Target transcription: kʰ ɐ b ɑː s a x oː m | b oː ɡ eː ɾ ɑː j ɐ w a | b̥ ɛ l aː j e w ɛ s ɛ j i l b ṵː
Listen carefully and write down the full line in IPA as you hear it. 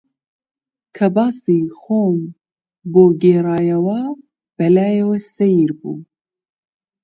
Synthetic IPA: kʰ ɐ b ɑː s i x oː m | b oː ɡ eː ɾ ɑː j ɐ w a | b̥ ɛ l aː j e w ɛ s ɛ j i ɾ b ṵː